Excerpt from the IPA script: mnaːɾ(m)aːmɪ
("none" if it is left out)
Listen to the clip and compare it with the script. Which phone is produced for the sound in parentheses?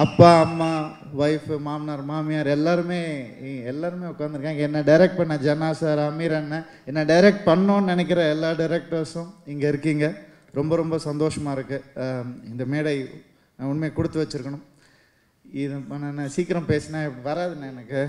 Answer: m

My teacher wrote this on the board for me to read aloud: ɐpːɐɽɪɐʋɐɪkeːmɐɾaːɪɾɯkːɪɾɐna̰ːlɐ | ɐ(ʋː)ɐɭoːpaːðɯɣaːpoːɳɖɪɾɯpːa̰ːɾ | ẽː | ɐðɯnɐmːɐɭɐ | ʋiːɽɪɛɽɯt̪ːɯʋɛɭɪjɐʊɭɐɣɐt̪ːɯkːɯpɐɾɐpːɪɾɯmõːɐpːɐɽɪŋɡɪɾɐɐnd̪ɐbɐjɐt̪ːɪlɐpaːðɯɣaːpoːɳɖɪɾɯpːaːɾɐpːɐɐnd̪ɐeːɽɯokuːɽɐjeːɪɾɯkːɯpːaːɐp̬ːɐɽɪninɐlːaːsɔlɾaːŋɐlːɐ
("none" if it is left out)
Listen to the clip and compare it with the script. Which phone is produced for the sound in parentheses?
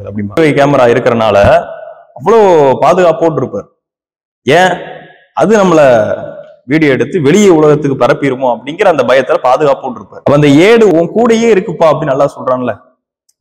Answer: ʋː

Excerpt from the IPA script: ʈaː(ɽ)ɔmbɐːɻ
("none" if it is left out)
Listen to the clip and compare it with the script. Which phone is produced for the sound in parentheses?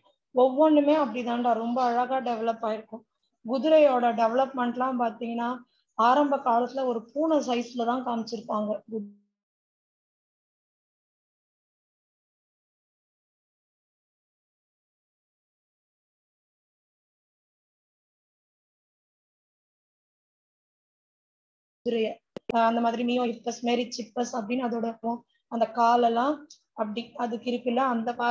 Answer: ɾ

